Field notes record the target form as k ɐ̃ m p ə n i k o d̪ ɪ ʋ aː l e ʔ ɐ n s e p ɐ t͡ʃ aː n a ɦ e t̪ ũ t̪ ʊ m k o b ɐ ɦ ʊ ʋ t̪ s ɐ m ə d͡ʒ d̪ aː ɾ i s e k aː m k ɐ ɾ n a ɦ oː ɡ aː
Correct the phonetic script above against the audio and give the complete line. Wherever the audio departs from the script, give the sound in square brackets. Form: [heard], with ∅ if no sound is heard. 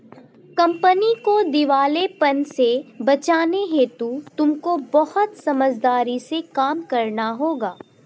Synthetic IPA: k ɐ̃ m p ə n i k o d̪ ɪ ʋ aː l e [p] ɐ n s e [b] ɐ t͡ʃ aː n [e] ɦ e t̪ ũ t̪ ʊ m k o b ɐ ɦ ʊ [∅] t̪ s ɐ m ə d͡ʒ d̪ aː ɾ i s e k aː m k ɐ ɾ n a ɦ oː ɡ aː

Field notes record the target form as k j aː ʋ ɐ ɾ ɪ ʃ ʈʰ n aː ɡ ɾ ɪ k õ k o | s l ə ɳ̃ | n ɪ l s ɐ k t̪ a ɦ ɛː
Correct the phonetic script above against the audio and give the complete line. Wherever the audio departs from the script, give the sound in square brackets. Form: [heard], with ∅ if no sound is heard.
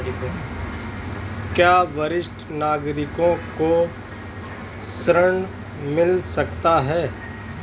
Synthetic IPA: k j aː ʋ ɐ ɾ ɪ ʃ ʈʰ n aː ɡ ɾ ɪ k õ k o | s [ɾ] ə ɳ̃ | [m] ɪ l s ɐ k t̪ a ɦ ɛː

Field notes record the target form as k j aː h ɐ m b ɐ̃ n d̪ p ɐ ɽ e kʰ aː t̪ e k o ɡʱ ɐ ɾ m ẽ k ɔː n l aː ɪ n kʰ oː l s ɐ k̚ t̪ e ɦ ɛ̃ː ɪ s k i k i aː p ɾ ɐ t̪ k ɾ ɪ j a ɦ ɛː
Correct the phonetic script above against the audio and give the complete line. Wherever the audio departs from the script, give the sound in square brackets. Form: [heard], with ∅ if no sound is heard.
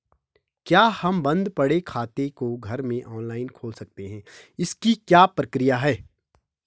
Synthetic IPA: k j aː h ɐ m b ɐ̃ n d̪ p ɐ ɽ e kʰ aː t̪ e k o ɡʱ ɐ ɾ m ẽ [ʔ] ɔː n l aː ɪ n kʰ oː l s ɐ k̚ t̪ e ɦ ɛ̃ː ɪ s k i k [j] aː p ɾ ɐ [∅] k ɾ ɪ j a ɦ ɛː

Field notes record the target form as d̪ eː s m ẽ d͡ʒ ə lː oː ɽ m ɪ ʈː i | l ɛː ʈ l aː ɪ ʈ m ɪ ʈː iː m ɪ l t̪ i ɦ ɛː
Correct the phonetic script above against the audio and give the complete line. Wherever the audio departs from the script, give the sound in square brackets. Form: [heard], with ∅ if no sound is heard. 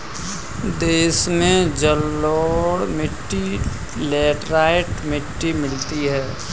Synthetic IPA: d̪ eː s m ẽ d͡ʒ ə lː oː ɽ m ɪ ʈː i | l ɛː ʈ [ɾ] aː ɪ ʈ m ɪ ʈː [i] m ɪ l t̪ i ɦ ɛː

